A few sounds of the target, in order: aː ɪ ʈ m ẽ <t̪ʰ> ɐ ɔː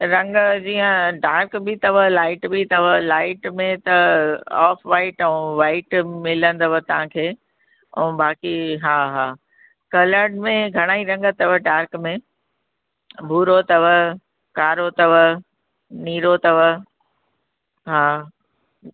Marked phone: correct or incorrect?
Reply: incorrect